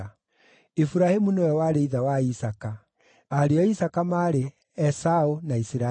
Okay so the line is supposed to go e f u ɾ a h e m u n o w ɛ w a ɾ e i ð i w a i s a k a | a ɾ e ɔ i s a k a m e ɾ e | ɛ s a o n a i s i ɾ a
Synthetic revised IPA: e f u ɾ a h e m u n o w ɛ w a ɾ e i ð a w a i s a k a | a ɾ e ɔ i s a k a m a ɾ e | ɛ s a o n a i s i ɾ a